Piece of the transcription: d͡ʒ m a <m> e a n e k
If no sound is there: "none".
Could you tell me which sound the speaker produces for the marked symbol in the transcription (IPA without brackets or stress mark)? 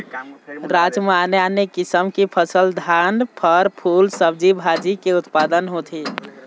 n